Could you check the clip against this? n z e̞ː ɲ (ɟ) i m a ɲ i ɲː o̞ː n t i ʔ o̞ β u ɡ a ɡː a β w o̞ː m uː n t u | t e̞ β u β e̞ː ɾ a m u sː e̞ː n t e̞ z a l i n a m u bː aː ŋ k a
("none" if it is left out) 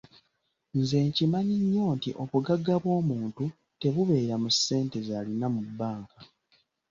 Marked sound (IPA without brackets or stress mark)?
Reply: c